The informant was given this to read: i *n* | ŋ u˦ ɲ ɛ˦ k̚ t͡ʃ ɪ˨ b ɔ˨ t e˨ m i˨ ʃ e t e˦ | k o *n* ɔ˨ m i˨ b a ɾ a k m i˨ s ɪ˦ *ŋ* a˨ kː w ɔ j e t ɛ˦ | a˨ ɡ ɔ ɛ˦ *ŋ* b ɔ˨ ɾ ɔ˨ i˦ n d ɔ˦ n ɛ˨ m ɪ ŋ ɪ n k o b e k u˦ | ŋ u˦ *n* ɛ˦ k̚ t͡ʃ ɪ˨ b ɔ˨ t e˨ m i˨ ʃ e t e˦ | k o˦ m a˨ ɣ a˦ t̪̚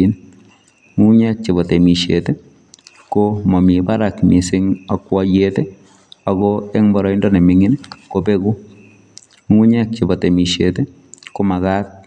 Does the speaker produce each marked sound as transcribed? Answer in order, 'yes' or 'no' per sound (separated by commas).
yes, no, yes, yes, no